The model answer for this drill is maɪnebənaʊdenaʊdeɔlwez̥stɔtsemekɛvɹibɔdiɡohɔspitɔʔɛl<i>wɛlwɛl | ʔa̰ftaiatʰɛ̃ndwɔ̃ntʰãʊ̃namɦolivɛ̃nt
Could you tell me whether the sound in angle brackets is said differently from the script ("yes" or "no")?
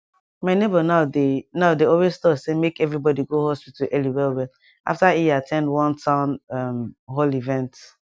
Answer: no